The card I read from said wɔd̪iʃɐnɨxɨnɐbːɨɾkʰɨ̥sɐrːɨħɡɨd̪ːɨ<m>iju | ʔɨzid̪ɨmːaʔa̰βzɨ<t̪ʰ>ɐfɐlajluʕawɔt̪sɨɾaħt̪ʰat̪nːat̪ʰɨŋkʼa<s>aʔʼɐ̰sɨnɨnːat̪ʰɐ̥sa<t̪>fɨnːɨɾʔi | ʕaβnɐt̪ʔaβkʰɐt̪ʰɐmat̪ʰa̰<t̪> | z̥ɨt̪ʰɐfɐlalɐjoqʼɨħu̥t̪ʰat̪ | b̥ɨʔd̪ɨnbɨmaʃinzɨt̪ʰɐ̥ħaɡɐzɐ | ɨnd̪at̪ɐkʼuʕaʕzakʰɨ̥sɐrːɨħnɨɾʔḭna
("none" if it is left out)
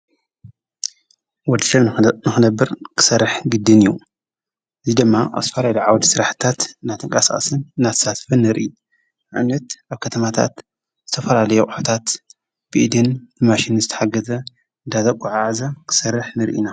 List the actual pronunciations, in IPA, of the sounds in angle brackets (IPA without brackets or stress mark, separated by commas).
n, t̪, s, t̪, t̪